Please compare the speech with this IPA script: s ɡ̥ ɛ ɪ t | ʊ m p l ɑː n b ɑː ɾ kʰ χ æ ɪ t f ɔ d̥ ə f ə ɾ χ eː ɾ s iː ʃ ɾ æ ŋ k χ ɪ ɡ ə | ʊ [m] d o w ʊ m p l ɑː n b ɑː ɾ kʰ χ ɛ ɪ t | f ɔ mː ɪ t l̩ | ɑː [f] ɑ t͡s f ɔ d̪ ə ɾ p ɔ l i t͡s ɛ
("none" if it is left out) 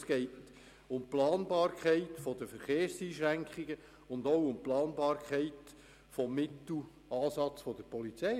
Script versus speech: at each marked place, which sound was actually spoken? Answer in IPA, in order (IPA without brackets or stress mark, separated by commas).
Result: n, s